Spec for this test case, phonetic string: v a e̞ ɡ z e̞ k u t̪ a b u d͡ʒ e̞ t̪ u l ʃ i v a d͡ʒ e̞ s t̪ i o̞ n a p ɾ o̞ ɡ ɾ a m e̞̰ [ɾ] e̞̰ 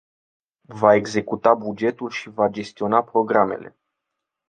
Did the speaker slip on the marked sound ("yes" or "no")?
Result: yes